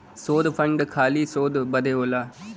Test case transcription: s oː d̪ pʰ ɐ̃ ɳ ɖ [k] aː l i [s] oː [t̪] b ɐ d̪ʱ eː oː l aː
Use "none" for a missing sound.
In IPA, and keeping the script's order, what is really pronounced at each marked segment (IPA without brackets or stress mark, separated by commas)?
kʰ, s, d̪